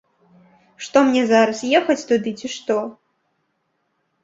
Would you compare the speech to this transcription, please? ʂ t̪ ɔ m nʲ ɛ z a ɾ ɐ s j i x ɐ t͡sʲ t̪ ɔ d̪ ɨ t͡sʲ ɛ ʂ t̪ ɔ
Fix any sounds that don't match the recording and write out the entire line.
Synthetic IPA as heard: ʂ t̪ ɔ m nʲ ɛ z a ɾ ɐ s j ɛ x ɐ t͡sʲ t̪ u d̪ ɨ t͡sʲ i ʂ t̪ ɔ

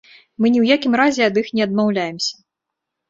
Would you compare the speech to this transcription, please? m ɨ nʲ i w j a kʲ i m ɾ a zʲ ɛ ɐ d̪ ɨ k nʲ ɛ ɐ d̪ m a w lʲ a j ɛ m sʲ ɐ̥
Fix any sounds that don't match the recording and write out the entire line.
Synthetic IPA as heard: m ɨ nʲ i w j a kʲ i m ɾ a zʲ ɛ ɐ d̪ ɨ x nʲ ɛ ɐ d̪ m a w lʲ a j ɛ m sʲ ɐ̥

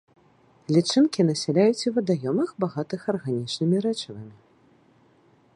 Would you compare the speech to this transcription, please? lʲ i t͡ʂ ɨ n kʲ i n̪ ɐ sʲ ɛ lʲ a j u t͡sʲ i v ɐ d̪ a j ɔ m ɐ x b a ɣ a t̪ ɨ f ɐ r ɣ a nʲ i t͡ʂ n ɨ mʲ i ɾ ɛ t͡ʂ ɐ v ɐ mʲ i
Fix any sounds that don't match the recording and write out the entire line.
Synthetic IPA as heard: lʲ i t͡ʂ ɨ n kʲ i n̪ ɐ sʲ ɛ lʲ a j u t͡sʲ i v ɐ d̪ a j ɔ m ɐ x b a ɣ a t̪ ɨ x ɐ r ɣ a nʲ i t͡ʂ n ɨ mʲ i ɾ ɛ t͡ʂ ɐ v ɐ mʲ i

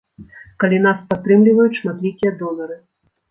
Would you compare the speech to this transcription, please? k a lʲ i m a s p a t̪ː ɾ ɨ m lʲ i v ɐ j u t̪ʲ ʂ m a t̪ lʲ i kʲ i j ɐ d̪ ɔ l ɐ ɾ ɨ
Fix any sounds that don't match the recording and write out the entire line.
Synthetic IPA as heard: k a lʲ i n a s p a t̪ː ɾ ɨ m lʲ i v ɐ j u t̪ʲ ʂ m a t̪ lʲ i kʲ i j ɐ d̪ ɔ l ɐ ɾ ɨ

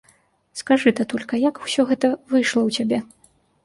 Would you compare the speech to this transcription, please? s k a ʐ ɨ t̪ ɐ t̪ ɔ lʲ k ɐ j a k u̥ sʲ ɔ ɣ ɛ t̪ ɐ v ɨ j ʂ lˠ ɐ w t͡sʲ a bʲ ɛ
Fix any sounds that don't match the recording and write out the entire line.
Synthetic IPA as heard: s k a ʐ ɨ t̪ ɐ t̪ ɔ lʲ k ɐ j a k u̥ sʲ ɔ ɣ ɛ t̪ ɐ v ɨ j ʂ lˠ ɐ w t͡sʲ a bʲ ɛ

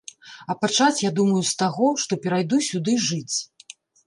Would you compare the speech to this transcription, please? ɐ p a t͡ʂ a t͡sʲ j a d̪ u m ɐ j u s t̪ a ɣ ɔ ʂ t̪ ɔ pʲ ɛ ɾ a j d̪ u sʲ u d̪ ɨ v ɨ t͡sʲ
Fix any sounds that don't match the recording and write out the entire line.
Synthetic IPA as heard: ɐ p a t͡ʂ a t͡sʲ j a d̪ u m ɐ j u s t̪ a ɣ ɔ ʂ t̪ ɔ pʲ ɛ ɾ a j d̪ u sʲ u d̪ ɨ ʐ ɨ t͡sʲ

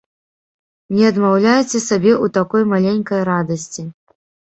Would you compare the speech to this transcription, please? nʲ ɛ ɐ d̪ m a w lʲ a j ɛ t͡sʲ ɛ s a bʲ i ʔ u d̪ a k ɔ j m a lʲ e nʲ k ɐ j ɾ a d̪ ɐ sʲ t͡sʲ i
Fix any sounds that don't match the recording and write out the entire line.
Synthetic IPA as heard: nʲ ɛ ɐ d̪ m a w lʲ a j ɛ t͡sʲ ɛ s a bʲ ɛ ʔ u t̪ a k ɔ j m a lʲ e nʲ k ɐ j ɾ a d̪ ɐ sʲ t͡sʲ i

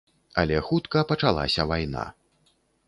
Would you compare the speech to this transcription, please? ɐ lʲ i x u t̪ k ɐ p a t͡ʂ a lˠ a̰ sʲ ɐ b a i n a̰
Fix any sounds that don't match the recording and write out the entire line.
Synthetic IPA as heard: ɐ lʲ ɛ x u t̪ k ɐ p ɐ t͡ʂ a lˠ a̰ sʲ ɐ v a j n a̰

